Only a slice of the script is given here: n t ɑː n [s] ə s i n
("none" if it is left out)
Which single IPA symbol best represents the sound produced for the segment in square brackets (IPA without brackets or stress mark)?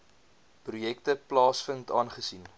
χ